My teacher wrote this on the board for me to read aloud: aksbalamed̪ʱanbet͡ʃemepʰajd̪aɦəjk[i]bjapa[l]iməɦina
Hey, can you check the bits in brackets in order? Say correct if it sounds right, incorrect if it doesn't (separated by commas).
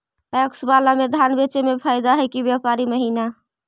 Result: correct, incorrect